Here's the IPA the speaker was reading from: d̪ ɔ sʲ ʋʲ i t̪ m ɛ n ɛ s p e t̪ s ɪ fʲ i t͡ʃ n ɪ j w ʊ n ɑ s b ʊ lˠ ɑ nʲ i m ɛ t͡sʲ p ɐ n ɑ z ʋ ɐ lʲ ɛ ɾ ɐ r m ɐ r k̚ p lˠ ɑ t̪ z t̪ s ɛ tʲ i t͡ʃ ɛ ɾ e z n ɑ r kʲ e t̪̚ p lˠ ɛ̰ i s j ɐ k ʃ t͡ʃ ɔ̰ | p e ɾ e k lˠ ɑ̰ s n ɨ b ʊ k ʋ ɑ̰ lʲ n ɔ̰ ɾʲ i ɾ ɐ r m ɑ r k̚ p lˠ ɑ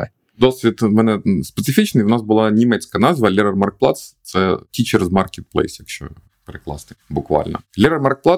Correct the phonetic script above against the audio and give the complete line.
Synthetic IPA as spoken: d̪ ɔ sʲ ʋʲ i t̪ m ɛ n ɛ s p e t̪ s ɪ fʲ i t͡ʃ n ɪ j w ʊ n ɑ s b ʊ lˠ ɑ nʲ i m ɛ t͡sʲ k ɐ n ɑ z ʋ ɐ lʲ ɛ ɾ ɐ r m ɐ r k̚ p lˠ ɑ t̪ s t̪ s ɛ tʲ i t͡ʃ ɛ ɾ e z m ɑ r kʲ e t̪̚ p lˠ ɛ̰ j s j ɐ k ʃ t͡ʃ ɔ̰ | p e ɾ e k lˠ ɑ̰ s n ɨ b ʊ k ʋ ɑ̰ lʲ n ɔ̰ lʲ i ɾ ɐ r m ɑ r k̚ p lˠ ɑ